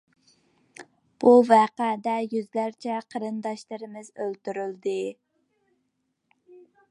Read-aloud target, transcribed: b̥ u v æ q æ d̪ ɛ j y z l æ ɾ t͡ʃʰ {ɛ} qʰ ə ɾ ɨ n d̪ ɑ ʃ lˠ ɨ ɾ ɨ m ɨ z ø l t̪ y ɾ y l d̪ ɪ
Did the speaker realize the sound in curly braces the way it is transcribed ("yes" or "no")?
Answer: yes